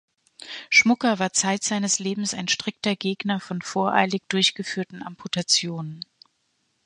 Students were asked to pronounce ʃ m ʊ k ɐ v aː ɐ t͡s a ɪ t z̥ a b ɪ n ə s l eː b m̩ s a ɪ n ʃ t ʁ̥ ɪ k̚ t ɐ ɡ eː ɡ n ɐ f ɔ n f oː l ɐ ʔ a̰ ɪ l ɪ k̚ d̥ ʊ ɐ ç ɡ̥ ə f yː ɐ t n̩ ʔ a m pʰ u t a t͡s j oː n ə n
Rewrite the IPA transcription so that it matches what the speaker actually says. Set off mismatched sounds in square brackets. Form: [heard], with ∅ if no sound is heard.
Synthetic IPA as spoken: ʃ m ʊ k ɐ v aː ɐ t͡s a ɪ t z̥ a [∅] ɪ n ə s l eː b m̩ s a ɪ n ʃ t ʁ̥ ɪ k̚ t ɐ ɡ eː ɡ n ɐ f ɔ n f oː [∅] ɐ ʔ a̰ ɪ l ɪ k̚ d̥ ʊ ɐ ç ɡ̥ ə f yː ɐ t n̩ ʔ a m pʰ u t a t͡s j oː n ə n